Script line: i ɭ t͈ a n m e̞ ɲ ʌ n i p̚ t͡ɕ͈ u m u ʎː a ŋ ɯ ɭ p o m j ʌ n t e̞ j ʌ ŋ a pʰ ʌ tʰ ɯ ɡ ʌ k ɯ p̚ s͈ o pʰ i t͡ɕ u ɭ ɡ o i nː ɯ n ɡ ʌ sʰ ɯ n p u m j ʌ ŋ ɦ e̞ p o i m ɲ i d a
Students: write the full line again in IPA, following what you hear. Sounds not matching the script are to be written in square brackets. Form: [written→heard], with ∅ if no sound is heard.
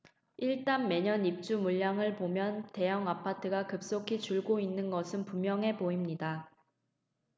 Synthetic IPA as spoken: i ɭ t͈ a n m e̞ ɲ ʌ n i p̚ t͡ɕ͈ u m u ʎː a ŋ ɯ ɭ p o m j ʌ n t e̞ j ʌ ŋ a pʰ [ʌ→a] tʰ ɯ ɡ [ʌ→a] k ɯ p̚ s͈ o [pʰ→kʰ] i t͡ɕ u ɭ ɡ o i nː ɯ n ɡ ʌ sʰ ɯ n p u m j ʌ ŋ ɦ e̞ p o i m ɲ i d a